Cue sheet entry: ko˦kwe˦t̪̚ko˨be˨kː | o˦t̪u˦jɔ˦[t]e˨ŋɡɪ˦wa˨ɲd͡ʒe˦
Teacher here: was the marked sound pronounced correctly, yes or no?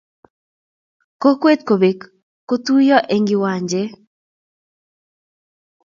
no